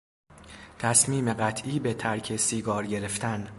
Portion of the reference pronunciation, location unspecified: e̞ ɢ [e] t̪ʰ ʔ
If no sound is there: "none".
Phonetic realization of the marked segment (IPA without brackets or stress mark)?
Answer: æ